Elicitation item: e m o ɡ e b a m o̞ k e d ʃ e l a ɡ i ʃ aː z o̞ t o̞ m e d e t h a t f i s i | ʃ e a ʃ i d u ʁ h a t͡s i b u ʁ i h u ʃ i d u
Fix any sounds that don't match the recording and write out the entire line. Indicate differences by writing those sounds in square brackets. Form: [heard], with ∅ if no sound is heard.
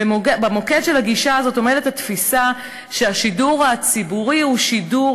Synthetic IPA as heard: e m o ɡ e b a m o̞ k e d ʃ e l a ɡ i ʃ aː z o̞ t o̞ m e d e t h a t f i s [a] | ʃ e a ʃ i d u ʁ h a t͡s i b u ʁ i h u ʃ i d u

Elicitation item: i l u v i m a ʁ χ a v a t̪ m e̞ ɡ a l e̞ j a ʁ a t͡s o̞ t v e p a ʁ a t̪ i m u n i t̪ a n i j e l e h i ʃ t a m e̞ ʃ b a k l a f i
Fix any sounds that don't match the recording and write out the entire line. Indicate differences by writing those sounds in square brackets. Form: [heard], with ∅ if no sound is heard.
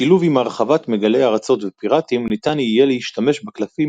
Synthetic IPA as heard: i l u v i m a ʁ χ a v a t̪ m e̞ ɡ a l e̞ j a ʁ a t͡s o̞ t v e p [i] ʁ a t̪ i m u n i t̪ a n i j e l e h i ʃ t a m e̞ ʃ b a k l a f i

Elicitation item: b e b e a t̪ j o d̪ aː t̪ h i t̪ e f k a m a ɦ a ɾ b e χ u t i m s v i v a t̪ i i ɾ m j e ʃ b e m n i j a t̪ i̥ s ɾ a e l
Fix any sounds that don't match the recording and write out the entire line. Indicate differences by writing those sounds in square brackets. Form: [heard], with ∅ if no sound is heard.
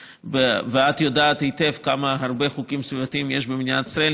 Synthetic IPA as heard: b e [v] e a t̪ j o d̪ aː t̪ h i t̪ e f k a m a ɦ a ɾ b e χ u [k] i m s v i v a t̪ i i [∅] m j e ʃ b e m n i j a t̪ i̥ s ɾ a e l

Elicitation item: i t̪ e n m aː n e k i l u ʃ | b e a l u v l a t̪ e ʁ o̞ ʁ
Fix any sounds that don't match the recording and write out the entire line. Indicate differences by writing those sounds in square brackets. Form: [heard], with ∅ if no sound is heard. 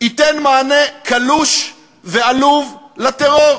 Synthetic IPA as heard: i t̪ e n m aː n e k [a] l u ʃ | [v] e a l u v l a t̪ e ʁ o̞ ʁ

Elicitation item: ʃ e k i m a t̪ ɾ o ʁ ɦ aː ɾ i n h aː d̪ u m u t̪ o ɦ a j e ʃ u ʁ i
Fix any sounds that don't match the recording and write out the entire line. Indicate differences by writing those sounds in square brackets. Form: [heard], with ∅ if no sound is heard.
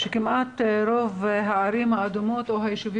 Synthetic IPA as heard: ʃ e k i m a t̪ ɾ o [v] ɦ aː ɾ i [m] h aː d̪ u m [o] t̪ o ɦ a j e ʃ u [v] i

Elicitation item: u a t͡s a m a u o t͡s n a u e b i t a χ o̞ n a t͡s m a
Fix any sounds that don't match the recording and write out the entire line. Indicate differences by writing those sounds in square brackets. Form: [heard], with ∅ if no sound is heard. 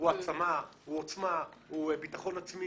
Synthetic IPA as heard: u a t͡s a m a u o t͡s [m] a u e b i t a χ o̞ n a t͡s m [i]

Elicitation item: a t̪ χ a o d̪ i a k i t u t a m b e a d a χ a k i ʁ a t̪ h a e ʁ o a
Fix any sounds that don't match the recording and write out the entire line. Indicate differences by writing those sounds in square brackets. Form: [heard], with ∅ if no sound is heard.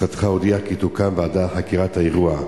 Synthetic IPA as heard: a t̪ χ a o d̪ i a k i t u [k] a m [v] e a d a χ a k i ʁ a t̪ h a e ʁ [u] a

